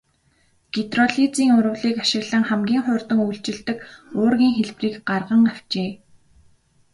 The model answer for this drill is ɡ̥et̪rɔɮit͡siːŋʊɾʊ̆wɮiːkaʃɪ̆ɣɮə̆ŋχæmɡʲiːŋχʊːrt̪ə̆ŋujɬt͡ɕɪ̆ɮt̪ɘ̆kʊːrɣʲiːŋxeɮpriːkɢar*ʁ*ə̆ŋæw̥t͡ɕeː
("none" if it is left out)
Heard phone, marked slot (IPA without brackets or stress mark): ʁ